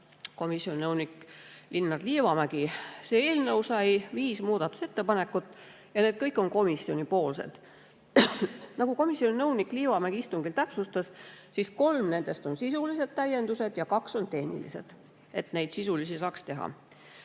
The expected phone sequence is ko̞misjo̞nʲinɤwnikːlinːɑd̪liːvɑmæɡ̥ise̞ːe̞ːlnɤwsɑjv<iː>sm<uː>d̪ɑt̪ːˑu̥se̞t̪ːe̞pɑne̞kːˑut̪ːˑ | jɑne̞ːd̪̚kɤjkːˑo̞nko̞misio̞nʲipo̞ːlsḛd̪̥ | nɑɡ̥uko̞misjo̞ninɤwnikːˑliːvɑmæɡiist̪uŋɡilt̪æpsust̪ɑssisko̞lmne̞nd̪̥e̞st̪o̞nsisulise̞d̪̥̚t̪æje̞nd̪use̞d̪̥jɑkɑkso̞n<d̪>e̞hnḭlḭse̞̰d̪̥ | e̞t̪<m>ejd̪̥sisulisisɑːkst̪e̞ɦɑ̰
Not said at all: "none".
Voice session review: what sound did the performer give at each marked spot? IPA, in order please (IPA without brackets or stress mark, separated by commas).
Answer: iː, uː, t̪, n